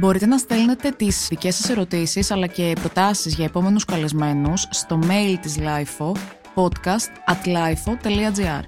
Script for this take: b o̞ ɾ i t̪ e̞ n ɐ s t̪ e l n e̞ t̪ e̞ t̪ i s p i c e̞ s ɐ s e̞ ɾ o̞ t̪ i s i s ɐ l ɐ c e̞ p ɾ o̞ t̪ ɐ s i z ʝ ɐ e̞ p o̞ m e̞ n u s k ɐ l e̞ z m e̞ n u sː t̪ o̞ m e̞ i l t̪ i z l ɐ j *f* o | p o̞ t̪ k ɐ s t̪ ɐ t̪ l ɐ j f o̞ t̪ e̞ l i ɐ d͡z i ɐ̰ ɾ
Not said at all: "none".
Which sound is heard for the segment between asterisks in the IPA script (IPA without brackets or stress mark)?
f